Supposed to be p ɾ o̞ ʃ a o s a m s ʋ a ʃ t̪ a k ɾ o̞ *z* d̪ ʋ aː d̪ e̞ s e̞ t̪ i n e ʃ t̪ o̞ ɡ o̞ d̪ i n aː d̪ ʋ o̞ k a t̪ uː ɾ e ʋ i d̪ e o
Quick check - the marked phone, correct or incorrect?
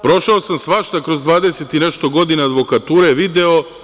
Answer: correct